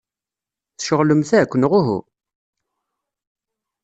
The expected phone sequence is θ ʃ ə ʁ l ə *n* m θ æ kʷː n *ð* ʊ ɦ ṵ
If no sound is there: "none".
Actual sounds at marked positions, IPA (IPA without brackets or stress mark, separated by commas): none, ʁ